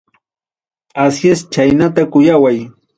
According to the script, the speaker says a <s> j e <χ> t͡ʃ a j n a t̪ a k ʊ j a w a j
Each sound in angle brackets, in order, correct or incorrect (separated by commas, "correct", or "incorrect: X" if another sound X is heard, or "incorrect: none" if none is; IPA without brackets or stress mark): correct, incorrect: s